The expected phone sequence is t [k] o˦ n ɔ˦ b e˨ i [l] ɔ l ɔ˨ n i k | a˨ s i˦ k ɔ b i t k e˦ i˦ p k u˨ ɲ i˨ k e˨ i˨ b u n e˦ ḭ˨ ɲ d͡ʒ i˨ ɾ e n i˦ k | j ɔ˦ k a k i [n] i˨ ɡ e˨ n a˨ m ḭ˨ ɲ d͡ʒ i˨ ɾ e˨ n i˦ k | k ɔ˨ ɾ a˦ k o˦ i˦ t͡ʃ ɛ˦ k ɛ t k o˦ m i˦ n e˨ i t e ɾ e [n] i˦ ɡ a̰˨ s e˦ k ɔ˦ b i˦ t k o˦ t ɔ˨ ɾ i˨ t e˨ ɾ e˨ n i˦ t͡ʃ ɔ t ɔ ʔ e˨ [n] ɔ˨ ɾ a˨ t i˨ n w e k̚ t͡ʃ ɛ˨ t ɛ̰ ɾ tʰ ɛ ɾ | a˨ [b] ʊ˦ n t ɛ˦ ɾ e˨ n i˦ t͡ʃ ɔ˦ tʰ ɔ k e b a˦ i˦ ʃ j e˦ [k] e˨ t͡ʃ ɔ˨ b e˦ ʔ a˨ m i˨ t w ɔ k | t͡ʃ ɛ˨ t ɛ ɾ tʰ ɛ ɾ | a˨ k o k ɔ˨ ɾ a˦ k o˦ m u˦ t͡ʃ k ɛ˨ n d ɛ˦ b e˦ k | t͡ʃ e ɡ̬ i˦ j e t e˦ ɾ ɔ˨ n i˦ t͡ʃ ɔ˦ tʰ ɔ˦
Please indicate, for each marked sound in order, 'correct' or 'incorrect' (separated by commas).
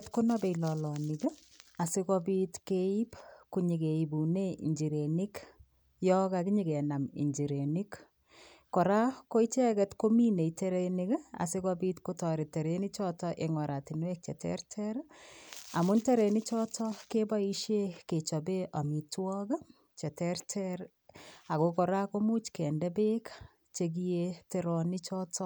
correct, correct, incorrect, correct, incorrect, incorrect, correct